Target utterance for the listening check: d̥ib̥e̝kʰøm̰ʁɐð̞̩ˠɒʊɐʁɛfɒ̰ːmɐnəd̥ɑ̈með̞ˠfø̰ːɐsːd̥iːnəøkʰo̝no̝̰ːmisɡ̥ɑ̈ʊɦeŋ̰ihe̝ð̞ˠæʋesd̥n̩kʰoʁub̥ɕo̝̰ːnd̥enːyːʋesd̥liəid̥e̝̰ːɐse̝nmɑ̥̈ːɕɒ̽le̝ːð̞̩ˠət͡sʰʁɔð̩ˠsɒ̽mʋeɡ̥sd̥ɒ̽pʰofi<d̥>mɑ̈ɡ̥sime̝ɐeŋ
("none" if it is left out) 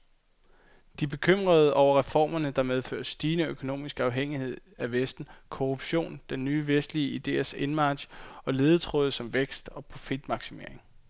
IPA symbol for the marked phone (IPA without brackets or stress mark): d̥